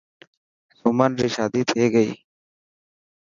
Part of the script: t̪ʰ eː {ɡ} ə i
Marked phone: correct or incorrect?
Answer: correct